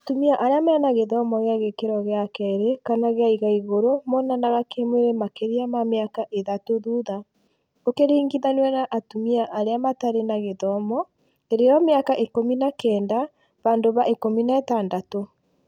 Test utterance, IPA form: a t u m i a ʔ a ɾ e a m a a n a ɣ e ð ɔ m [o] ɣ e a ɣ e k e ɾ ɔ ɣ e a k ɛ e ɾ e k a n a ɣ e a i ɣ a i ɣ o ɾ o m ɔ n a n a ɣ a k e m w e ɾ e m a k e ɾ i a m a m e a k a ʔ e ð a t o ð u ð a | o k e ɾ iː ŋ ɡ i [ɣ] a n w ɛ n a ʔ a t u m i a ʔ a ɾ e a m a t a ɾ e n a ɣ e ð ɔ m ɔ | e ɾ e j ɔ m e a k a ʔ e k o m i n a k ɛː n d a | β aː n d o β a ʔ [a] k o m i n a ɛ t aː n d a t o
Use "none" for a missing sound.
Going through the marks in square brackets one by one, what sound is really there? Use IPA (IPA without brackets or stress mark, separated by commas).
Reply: ɔ, ð, e